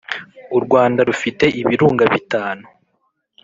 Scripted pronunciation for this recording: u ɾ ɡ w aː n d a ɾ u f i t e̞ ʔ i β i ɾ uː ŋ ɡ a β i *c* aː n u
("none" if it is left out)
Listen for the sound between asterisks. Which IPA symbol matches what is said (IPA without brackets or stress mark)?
t